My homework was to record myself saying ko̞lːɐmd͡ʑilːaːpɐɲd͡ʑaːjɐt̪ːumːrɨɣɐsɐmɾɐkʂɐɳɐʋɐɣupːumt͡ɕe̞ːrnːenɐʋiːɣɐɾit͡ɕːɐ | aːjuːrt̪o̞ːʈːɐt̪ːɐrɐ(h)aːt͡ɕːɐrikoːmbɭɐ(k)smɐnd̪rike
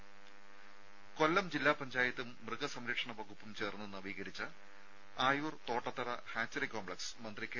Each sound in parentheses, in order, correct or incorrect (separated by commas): correct, correct